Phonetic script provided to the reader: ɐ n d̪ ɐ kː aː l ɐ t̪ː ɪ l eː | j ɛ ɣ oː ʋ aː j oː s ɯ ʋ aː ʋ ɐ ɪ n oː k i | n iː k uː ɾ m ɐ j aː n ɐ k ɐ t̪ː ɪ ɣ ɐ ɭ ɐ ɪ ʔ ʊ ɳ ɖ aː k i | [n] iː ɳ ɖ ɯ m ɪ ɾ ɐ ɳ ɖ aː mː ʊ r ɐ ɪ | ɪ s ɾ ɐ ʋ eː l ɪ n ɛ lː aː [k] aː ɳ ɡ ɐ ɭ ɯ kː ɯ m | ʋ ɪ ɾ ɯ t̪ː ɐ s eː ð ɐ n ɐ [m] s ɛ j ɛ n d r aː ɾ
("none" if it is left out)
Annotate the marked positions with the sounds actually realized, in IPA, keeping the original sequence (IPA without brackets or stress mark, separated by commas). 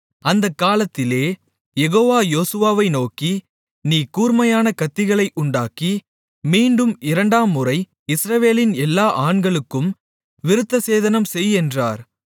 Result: m, ʔ, m